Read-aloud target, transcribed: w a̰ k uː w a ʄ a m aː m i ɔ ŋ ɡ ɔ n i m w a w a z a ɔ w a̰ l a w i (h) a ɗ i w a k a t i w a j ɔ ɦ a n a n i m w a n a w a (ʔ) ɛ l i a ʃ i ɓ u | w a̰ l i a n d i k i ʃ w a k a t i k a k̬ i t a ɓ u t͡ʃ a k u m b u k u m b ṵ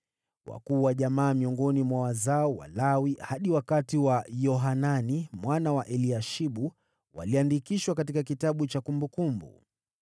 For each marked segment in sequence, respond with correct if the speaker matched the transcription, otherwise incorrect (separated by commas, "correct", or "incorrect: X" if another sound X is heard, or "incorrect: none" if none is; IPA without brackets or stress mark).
correct, correct